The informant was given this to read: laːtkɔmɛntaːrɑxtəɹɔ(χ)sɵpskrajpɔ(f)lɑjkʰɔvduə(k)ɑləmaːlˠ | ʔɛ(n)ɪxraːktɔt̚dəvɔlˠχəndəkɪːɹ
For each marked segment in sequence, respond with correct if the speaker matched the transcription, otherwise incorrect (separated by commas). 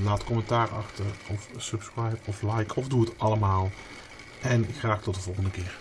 incorrect, correct, incorrect, correct